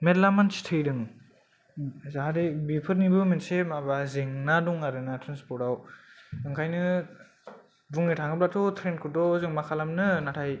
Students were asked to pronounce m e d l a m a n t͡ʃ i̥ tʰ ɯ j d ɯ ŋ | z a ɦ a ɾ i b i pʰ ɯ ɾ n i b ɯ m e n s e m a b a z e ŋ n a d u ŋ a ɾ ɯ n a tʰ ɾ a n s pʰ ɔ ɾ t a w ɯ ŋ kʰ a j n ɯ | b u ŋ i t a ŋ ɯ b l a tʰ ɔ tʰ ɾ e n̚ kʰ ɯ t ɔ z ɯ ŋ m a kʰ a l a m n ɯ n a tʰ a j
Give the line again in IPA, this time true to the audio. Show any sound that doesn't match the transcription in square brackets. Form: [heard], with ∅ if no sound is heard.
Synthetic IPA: m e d l a m a n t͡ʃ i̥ tʰ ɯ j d ɯ ŋ | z a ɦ a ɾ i b i pʰ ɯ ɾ n i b ɯ m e n s e m a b a z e ŋ n a d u ŋ a ɾ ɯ n a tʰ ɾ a n s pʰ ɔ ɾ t a w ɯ ŋ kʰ a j n ɯ | b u ŋ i [tʰ] a ŋ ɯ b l a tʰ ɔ tʰ ɾ e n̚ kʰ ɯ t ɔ z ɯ ŋ m a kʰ a l a m n ɯ n a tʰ a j